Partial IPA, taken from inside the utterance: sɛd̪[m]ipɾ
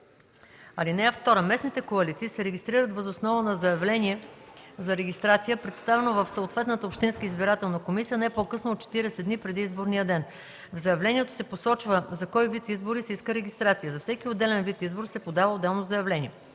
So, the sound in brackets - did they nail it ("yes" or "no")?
no